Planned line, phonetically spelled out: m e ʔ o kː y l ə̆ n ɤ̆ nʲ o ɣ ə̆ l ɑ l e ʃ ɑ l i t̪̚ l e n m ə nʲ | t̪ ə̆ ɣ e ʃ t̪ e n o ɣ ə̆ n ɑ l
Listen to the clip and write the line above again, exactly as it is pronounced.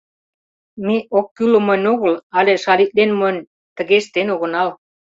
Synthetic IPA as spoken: m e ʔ o kː y l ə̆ m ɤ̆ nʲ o ɣ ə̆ l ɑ l e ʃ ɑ l i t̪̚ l e n m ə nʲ | t̪ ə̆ ɣ e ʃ t̪ e n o ɣ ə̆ n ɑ l